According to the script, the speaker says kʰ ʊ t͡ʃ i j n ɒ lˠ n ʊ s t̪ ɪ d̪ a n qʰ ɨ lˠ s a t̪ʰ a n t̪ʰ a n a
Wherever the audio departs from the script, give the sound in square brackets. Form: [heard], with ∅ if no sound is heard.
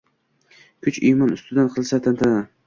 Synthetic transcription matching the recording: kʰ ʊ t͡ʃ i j [m] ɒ [∅] n ʊ s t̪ ɪ d̪ a n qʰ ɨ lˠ s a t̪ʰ a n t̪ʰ a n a